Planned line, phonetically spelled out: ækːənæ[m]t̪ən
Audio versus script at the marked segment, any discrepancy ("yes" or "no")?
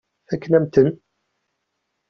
no